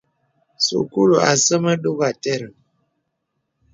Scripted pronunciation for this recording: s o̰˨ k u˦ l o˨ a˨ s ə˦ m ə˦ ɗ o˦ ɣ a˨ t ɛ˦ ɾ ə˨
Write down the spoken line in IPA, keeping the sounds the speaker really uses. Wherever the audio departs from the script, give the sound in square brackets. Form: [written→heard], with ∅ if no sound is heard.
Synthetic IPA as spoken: s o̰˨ k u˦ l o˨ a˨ s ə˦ m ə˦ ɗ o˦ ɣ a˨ t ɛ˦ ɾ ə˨

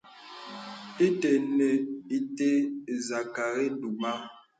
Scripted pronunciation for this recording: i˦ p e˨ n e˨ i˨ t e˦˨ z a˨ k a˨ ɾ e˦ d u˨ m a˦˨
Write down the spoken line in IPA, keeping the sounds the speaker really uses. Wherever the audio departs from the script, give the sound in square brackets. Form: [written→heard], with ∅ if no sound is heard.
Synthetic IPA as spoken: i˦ [p→t] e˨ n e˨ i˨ t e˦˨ z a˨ k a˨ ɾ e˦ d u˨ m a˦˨

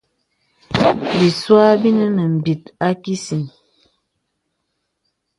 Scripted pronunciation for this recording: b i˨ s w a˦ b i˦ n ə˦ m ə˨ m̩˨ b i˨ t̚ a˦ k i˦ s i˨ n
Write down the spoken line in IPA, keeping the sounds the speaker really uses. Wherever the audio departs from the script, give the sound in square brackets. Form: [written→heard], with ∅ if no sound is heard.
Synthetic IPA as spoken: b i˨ s w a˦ b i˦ n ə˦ [m→n] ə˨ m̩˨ b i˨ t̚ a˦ k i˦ s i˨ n

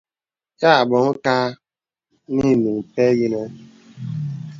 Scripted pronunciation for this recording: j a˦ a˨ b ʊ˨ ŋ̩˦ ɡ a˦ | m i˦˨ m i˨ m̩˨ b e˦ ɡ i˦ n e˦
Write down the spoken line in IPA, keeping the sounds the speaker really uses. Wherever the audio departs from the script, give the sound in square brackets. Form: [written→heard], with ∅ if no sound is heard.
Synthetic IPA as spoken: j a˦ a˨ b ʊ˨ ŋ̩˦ [ɡ→k] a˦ | [m→n] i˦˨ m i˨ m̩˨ [b→p] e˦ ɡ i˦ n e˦

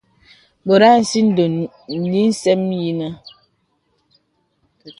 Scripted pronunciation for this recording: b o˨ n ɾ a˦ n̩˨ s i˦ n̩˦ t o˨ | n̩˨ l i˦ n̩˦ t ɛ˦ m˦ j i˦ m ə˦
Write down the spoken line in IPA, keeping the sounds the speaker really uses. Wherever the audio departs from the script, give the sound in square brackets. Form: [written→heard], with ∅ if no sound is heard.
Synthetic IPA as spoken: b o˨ [n→∅] ɾ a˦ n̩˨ s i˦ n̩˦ [t→d] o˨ | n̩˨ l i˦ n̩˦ [t→s] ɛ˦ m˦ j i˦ [m→n] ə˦

